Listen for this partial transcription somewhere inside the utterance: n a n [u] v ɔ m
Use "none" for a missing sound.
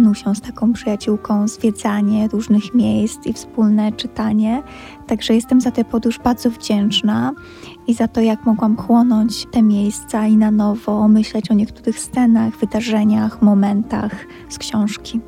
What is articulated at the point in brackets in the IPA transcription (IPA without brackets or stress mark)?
ɔ